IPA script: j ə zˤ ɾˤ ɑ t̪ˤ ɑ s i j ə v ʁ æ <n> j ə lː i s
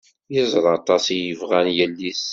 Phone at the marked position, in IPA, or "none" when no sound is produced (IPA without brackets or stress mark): n